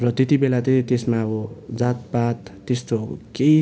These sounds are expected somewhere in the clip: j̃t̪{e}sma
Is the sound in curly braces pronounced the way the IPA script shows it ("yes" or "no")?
yes